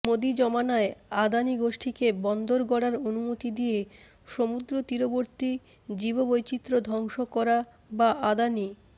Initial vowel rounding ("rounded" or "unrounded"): rounded